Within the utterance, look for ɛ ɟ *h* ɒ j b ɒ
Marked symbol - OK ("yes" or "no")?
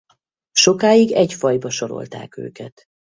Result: no